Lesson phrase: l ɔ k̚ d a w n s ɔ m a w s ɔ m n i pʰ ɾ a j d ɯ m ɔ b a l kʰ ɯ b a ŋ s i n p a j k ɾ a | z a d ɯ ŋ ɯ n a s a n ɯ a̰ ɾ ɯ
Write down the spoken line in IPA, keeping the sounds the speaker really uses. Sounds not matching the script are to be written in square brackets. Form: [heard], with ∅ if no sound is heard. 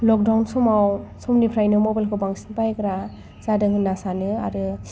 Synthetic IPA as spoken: l ɔ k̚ d a w n s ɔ m a w s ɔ m n i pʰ ɾ a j [n] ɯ m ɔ b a l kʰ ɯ b a ŋ s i n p a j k ɾ a | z a d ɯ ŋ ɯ n a s a n ɯ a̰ ɾ ɯ